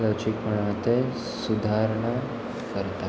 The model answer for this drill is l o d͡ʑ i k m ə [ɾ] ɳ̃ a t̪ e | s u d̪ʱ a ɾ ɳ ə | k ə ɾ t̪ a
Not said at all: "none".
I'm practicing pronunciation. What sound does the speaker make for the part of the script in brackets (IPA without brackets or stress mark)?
none